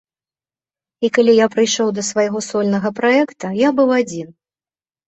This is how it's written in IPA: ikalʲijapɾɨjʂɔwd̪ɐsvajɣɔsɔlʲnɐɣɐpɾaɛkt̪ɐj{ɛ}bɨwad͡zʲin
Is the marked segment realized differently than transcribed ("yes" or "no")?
yes